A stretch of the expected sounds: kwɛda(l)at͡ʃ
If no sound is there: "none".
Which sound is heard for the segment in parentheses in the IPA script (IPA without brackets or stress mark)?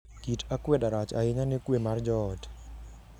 ɾ